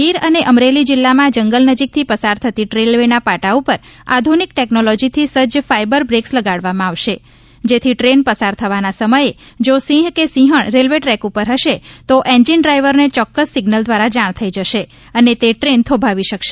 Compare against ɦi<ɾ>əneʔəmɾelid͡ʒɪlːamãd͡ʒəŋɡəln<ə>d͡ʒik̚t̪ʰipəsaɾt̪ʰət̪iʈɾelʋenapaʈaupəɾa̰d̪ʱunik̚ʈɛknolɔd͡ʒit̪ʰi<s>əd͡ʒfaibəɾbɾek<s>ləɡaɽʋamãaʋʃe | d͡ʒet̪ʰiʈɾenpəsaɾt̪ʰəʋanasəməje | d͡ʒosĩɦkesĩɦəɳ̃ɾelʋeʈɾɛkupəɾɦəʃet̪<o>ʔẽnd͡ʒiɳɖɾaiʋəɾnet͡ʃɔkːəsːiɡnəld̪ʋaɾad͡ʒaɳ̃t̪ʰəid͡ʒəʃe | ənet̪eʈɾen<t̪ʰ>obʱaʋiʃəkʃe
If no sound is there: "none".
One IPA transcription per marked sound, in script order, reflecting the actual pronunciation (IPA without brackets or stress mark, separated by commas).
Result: ɾ, ə, s, s, o, t̪ʰ